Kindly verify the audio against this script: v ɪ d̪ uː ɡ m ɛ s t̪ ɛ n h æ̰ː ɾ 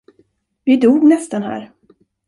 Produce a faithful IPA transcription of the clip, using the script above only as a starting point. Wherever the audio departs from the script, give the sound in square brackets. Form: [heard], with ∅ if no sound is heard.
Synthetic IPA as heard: v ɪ d̪ uː ɡ [n] ɛ s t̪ [a] n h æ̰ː ɾ